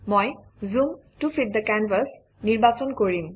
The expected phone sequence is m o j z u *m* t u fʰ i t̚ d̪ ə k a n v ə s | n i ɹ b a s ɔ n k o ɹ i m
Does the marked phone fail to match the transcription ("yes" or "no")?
no